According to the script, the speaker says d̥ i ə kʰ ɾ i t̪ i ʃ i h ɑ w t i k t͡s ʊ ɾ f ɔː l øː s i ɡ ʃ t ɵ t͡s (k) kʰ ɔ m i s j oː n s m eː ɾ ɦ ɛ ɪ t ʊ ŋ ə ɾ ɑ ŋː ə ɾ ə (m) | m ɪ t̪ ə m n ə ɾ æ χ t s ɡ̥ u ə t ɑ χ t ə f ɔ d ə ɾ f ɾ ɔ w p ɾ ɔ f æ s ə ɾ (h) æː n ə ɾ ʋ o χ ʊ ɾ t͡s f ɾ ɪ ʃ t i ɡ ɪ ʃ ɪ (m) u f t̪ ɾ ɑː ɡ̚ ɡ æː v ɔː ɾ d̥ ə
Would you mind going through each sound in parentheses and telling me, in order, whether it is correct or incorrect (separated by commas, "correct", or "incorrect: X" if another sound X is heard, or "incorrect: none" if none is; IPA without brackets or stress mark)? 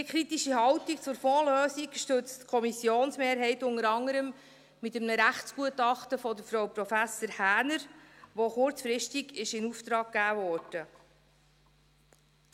incorrect: t, correct, correct, incorrect: n